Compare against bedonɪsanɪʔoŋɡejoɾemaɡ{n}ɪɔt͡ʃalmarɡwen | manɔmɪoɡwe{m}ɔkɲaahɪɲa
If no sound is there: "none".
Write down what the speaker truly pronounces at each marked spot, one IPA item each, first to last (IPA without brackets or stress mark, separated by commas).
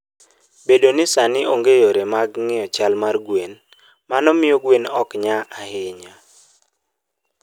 ŋ, n